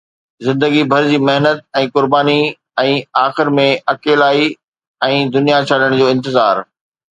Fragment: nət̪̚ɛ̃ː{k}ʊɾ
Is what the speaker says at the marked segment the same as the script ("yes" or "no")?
yes